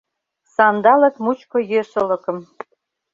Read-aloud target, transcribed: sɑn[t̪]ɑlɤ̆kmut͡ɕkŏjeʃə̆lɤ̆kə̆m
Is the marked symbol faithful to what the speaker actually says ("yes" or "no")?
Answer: no